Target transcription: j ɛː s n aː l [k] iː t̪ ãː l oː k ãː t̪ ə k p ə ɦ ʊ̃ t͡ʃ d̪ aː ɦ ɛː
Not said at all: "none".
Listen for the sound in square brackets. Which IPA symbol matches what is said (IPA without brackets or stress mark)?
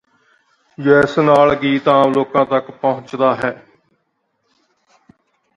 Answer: ɡ